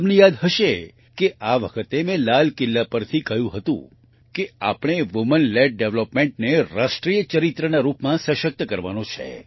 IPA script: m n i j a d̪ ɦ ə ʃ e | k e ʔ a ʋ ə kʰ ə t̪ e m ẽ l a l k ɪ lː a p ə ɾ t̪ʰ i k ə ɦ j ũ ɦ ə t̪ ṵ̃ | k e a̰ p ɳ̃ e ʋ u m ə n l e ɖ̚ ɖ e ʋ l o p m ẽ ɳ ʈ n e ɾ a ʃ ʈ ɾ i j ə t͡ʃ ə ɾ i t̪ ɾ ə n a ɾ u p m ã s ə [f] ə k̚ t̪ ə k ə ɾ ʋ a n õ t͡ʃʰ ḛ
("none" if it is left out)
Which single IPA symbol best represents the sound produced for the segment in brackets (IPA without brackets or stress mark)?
ʃ